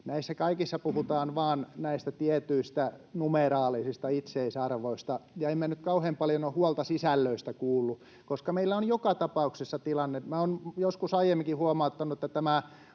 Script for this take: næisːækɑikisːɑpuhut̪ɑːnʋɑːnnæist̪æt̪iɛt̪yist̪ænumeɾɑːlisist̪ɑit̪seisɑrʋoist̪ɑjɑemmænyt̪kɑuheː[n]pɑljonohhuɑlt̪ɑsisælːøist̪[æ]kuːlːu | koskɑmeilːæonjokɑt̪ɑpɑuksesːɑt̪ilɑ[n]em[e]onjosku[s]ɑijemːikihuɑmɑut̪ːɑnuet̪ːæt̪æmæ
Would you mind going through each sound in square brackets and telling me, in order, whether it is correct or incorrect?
incorrect, correct, incorrect, incorrect, correct

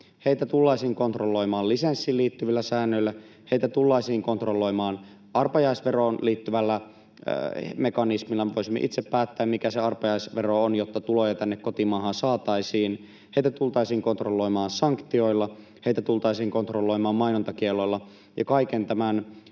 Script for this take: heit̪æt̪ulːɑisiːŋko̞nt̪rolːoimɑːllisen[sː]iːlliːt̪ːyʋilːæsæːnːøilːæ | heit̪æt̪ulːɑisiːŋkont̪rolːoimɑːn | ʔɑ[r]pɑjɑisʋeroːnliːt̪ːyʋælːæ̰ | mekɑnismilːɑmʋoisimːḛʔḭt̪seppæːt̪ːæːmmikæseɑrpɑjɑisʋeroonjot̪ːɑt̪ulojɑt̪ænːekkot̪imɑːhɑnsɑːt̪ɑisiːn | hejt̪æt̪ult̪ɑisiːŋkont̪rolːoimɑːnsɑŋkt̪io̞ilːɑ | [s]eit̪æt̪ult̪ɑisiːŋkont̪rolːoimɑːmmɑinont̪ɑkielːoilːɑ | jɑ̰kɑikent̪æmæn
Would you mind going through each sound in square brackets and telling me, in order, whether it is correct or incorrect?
correct, correct, incorrect

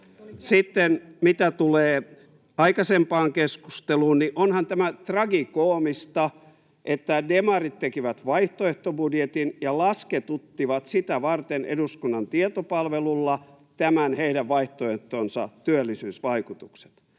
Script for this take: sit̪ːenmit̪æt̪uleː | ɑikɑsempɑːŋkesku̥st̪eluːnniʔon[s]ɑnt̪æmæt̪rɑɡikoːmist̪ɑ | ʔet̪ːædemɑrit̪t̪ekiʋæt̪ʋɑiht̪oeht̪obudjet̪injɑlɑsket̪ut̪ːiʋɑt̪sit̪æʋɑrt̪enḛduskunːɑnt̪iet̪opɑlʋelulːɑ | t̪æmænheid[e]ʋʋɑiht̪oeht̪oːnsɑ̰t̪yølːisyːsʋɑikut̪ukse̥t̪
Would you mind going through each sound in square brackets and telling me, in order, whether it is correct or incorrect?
incorrect, incorrect

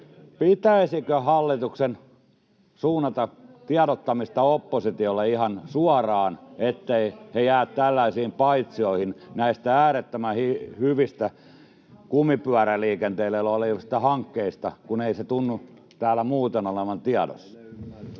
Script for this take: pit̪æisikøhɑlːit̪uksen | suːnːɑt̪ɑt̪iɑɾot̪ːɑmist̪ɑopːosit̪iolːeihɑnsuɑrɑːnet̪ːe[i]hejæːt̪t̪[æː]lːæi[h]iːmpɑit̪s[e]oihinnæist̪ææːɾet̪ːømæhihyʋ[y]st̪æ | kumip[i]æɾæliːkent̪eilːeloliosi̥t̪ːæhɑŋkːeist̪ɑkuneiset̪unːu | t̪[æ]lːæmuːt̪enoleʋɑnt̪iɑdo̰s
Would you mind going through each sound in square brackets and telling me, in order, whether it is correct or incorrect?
correct, incorrect, incorrect, incorrect, incorrect, incorrect, incorrect

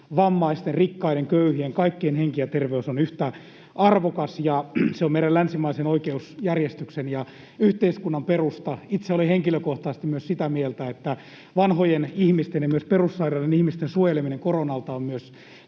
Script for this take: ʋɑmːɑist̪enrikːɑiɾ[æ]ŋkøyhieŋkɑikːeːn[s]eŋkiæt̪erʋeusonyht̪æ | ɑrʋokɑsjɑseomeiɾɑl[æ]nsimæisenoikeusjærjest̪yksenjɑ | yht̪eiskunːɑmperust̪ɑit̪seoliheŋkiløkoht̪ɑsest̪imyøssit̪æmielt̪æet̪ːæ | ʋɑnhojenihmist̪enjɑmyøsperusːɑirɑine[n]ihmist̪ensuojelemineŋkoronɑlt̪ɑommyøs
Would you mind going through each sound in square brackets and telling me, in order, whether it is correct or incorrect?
incorrect, incorrect, correct, correct

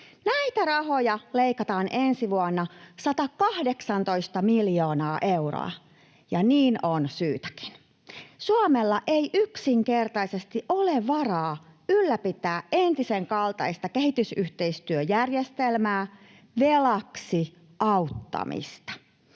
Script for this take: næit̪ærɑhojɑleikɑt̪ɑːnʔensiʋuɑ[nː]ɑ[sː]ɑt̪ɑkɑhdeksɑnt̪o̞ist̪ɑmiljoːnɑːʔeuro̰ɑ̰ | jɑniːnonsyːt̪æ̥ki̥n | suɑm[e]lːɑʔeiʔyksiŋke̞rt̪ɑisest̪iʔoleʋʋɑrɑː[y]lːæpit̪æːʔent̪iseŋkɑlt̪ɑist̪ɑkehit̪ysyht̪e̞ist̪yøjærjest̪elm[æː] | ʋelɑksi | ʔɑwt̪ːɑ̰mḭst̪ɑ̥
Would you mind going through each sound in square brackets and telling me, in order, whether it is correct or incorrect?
correct, incorrect, correct, correct, correct

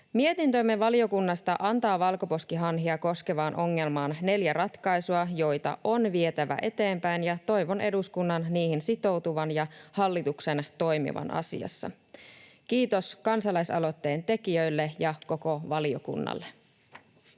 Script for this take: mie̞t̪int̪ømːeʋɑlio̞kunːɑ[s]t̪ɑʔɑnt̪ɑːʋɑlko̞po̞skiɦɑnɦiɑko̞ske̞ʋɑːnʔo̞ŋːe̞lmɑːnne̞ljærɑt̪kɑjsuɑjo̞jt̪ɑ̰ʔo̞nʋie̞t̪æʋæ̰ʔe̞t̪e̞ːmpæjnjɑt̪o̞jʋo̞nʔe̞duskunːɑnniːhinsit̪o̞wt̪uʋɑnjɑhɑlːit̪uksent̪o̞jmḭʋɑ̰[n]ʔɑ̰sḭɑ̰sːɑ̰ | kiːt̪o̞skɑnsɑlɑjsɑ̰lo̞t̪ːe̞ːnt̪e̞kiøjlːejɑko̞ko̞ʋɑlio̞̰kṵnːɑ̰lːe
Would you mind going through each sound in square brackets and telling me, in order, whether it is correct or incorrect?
correct, correct

